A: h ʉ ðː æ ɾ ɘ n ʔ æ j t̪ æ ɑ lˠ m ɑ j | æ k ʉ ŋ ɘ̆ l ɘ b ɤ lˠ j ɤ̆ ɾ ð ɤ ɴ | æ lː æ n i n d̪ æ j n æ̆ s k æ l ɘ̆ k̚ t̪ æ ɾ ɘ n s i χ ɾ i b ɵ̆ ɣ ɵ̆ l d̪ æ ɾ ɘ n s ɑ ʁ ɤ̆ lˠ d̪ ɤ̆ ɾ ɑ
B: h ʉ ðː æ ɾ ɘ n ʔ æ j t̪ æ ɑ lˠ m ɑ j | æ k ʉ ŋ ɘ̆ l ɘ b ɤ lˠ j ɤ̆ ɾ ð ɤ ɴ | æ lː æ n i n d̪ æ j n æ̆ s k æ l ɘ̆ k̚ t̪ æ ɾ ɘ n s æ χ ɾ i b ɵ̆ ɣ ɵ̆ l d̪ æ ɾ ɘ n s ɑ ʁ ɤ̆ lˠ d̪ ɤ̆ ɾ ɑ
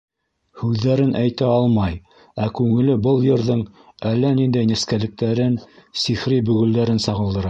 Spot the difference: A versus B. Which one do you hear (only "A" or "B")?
A